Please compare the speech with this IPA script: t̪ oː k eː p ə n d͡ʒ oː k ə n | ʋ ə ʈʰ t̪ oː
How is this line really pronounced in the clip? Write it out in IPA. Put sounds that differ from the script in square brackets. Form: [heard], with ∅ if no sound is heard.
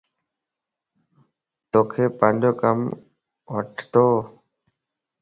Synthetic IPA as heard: t̪ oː [kʰ] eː p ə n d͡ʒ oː k ə [m] | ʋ ə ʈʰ t̪ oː